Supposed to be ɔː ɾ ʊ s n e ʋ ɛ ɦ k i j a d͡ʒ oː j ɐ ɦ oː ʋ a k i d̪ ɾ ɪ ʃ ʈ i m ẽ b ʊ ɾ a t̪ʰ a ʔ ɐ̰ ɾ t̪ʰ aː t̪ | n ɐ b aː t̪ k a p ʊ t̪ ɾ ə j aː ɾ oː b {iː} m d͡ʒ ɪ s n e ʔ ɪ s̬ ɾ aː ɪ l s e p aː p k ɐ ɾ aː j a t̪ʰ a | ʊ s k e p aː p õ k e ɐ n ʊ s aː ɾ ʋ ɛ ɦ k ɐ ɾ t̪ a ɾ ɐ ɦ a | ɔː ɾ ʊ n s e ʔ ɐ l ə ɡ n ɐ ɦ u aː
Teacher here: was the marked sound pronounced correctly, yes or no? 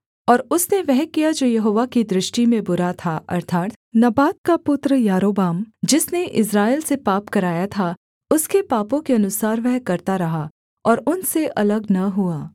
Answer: no